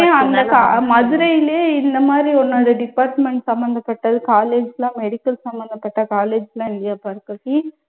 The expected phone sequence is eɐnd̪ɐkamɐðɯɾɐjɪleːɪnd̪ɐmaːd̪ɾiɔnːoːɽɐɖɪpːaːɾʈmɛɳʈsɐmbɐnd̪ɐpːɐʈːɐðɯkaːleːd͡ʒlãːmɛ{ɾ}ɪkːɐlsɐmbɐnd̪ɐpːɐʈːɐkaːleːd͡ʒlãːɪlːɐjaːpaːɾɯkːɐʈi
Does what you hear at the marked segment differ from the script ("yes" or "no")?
yes